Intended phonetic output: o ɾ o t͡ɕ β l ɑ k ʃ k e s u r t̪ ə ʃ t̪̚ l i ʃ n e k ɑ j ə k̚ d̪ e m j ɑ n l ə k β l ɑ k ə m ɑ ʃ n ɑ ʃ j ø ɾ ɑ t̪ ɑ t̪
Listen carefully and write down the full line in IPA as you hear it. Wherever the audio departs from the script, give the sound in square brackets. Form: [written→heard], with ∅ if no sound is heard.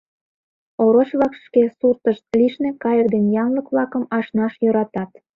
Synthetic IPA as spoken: o ɾ o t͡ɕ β l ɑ k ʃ k e s u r t̪ ə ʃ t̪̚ l i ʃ n e k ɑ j ə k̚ d̪ e [m→n] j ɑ n l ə k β l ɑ k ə m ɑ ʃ n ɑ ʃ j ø ɾ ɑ t̪ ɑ t̪